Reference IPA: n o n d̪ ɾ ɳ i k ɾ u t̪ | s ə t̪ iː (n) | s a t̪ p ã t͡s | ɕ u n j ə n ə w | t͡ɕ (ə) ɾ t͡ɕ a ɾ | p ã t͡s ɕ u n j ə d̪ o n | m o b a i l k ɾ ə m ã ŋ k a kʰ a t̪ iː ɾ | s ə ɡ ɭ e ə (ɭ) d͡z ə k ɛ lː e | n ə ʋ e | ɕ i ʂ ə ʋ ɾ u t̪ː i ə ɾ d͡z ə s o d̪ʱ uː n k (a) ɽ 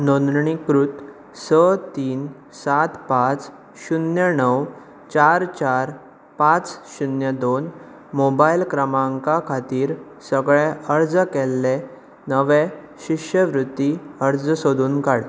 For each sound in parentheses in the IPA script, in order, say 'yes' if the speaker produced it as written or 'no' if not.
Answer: yes, no, no, yes

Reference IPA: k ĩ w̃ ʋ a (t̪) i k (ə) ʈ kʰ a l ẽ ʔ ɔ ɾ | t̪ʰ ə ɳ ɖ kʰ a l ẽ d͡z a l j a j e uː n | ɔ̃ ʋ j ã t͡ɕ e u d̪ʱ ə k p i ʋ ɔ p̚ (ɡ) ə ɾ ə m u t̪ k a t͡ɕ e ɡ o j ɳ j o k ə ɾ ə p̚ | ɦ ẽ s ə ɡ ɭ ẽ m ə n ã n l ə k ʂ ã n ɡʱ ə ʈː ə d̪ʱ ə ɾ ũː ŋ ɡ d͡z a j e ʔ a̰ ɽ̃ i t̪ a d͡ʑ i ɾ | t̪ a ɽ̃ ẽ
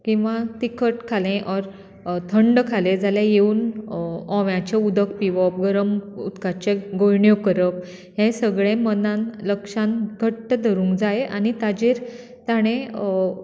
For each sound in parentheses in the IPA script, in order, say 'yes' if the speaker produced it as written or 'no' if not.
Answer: yes, yes, yes

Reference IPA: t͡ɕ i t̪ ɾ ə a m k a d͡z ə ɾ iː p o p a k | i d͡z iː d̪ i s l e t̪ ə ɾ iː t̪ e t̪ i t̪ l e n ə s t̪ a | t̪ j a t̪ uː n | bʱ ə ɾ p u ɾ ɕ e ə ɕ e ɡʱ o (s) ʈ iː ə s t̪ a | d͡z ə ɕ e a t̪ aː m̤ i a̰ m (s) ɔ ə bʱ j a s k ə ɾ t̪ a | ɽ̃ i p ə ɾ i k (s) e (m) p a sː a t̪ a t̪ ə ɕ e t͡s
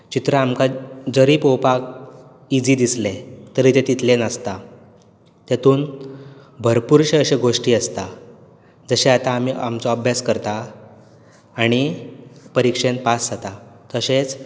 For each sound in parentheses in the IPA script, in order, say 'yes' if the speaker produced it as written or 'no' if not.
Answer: no, no, no, no

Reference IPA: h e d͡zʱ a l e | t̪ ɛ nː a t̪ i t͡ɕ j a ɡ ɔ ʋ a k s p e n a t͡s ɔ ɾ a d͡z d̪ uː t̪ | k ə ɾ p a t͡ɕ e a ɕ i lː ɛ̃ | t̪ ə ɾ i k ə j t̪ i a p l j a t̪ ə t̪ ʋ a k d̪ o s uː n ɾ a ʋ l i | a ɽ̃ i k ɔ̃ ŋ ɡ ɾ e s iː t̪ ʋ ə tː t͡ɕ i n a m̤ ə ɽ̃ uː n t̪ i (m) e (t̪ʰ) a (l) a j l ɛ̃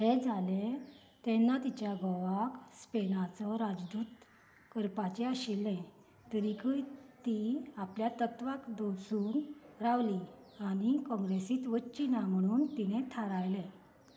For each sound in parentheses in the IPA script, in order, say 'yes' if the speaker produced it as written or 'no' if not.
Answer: no, yes, no

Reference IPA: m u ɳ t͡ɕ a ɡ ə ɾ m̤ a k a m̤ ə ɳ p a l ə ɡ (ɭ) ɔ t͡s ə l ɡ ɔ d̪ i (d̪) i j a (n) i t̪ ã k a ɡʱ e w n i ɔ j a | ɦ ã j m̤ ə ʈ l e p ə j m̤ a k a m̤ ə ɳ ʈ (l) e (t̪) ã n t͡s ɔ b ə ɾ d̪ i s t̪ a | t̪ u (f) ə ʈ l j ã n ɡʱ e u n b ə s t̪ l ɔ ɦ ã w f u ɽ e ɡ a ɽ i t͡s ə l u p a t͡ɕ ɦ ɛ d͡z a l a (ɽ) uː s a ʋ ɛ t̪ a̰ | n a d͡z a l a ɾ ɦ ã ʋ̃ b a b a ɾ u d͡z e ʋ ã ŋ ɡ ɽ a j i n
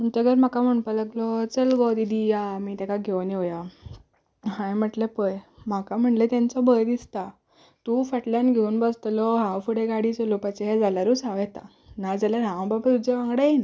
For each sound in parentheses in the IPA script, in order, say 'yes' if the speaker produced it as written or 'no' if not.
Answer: no, yes, no, yes, yes, yes, no

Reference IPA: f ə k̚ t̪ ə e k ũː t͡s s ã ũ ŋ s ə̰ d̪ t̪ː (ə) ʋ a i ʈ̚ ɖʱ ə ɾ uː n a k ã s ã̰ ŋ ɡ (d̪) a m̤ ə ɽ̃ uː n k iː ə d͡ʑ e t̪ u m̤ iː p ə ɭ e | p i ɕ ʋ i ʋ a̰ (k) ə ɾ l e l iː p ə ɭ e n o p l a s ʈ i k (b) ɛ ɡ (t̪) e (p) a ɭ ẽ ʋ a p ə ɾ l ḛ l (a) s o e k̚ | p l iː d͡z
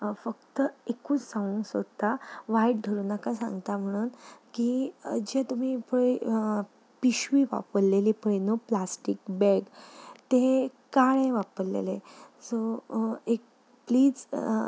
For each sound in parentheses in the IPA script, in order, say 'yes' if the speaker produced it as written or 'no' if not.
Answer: no, no, no, yes, yes, no, no

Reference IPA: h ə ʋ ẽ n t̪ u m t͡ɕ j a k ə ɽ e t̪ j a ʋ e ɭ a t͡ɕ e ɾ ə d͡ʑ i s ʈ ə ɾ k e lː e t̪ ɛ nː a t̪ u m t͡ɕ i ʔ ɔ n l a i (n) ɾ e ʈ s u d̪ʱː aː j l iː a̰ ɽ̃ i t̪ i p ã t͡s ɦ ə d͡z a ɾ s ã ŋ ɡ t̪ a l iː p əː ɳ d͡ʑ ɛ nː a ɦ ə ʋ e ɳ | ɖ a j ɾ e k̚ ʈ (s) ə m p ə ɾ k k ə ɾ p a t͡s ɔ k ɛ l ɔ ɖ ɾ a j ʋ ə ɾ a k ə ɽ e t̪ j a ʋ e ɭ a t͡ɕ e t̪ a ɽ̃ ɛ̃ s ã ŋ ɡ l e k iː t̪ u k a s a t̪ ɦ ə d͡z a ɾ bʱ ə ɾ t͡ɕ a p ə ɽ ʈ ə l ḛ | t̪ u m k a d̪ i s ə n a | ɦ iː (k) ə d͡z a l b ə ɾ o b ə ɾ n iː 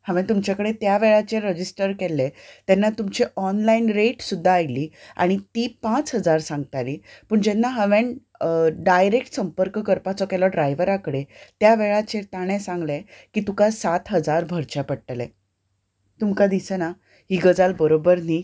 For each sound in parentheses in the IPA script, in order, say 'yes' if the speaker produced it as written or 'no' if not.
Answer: yes, yes, no

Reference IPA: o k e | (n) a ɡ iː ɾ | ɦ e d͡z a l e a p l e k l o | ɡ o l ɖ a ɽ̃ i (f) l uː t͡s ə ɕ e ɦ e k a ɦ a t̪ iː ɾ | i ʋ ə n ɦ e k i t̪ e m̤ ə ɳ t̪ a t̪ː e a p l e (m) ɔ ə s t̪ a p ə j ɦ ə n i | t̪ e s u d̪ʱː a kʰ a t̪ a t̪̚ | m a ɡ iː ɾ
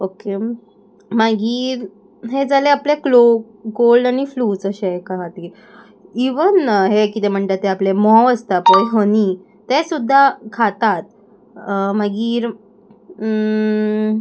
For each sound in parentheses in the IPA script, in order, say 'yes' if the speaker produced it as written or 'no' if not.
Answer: no, yes, yes

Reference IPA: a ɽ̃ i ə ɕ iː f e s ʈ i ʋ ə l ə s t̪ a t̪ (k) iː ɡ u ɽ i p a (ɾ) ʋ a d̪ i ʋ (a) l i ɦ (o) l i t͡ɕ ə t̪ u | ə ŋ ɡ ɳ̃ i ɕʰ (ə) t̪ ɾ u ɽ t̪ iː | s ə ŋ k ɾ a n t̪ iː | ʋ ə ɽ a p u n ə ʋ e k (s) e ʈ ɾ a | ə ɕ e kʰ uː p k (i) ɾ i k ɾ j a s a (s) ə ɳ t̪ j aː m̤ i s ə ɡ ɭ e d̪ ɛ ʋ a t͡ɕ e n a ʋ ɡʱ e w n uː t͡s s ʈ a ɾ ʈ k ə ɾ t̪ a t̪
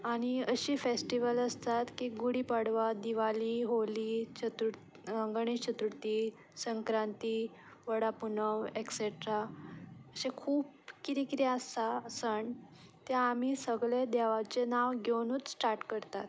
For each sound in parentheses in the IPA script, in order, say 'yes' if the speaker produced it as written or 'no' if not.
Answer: yes, no, yes, yes, yes, yes, yes, yes

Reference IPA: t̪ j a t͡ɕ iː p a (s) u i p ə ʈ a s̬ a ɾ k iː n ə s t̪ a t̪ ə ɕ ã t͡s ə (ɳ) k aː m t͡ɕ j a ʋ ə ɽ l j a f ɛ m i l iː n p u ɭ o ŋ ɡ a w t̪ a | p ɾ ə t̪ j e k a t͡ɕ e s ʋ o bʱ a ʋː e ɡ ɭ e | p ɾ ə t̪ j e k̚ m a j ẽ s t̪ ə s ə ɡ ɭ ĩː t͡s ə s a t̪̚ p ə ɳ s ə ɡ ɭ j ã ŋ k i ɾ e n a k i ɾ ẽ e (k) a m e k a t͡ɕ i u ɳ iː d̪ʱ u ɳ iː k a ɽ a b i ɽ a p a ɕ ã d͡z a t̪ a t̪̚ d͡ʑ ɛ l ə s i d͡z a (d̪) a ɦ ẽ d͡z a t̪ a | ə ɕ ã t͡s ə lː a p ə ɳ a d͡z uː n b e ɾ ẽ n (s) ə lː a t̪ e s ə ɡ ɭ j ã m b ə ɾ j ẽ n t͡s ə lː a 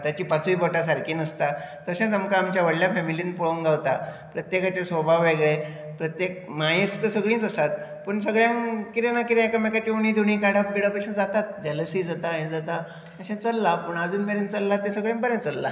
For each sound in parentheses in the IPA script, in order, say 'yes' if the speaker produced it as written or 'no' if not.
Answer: no, no, yes, no, no

